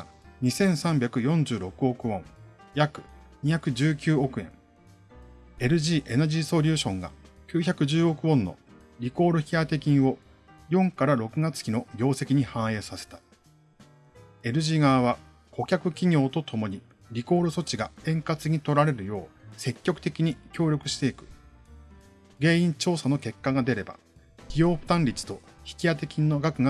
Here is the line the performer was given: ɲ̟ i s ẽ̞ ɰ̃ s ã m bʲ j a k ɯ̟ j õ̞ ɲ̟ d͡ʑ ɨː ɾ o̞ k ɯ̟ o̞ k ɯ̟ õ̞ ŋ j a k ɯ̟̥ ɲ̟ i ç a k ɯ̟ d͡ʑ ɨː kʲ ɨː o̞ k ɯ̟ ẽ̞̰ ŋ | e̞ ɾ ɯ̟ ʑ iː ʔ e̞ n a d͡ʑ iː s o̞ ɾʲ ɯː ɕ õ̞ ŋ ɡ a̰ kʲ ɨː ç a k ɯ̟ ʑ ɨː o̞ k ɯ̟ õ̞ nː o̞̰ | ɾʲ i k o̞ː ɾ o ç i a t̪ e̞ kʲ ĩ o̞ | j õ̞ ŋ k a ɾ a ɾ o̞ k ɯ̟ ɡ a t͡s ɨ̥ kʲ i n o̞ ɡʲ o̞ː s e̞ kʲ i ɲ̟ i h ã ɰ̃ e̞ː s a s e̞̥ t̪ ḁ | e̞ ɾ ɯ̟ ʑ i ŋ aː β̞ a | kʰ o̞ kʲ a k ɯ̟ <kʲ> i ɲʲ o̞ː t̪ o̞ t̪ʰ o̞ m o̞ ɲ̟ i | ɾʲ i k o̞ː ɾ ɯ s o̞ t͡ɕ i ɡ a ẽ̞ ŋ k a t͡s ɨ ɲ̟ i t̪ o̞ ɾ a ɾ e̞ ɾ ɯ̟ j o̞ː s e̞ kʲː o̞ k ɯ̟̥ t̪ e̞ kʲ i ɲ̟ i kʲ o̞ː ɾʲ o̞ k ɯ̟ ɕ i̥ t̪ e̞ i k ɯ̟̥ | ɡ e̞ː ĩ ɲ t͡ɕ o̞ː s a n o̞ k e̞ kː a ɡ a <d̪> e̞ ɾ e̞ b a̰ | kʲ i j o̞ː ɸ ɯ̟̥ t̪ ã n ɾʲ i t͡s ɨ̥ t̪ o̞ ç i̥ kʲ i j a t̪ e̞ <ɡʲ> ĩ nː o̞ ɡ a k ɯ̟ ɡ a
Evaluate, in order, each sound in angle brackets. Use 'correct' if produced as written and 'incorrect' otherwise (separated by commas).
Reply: correct, correct, incorrect